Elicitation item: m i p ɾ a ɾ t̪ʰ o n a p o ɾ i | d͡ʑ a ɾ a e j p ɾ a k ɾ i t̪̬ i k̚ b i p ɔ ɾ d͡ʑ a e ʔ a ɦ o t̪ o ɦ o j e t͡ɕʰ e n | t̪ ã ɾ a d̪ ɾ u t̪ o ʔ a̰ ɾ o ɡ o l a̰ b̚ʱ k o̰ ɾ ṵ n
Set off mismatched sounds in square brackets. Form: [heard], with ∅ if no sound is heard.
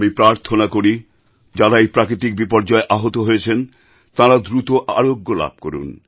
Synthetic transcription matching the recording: m i p ɾ a ɾ t̪ʰ o n a [k] o ɾ i | d͡ʑ a ɾ a e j p ɾ a k ɾ i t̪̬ i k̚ b i p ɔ ɾ d͡ʑ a e ʔ a ɦ o t̪ o ɦ o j e t͡ɕʰ e n | t̪ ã ɾ a d̪ ɾ u t̪ o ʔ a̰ ɾ o [ɡː] o l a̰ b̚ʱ k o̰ ɾ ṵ n